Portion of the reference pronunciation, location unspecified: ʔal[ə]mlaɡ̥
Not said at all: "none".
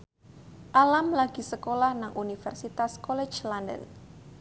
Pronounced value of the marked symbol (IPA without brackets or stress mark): a